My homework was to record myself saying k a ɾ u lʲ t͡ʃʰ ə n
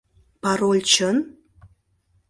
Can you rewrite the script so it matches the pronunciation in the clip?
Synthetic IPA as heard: p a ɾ o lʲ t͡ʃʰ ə n